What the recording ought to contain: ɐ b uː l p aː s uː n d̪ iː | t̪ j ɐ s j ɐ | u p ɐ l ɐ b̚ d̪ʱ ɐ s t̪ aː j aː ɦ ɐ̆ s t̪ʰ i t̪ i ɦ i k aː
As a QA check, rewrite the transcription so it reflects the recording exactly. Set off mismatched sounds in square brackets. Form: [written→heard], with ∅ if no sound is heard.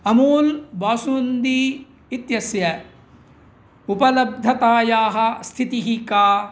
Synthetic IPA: ɐ [b→m] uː l [p→b] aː s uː n d̪ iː | t̪ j ɐ s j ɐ | u p ɐ l ɐ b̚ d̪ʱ ɐ [s→∅] t̪ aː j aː ɦ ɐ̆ s t̪ʰ i t̪ i ɦ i k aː